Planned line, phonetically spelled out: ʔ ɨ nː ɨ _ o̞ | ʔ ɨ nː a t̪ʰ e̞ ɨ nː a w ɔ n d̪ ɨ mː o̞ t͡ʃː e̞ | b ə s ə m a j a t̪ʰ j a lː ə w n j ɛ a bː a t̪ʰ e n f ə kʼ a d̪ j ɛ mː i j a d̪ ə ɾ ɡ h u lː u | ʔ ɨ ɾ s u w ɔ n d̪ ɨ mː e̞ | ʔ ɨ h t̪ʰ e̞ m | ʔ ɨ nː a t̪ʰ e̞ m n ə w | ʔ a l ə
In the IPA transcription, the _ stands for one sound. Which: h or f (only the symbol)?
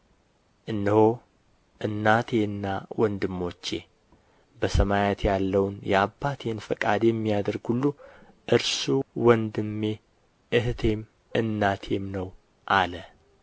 h